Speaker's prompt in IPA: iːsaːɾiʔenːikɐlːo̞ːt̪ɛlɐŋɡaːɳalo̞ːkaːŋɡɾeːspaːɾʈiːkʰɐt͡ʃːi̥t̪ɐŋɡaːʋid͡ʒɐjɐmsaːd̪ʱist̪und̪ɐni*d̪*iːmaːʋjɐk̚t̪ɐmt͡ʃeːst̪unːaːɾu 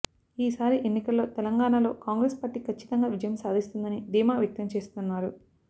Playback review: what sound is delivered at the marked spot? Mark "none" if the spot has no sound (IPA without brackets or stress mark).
d̪